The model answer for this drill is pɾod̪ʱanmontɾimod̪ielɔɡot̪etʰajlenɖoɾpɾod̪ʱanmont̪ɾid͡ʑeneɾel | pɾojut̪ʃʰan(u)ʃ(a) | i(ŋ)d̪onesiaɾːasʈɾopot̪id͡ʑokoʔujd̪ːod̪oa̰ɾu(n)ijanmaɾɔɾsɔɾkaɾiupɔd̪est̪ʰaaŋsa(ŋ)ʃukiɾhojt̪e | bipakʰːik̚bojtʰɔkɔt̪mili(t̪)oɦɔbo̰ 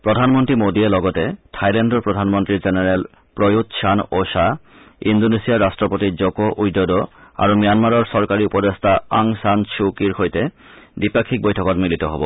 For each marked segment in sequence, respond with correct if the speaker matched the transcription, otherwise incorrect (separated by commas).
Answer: incorrect, correct, incorrect, incorrect, incorrect, correct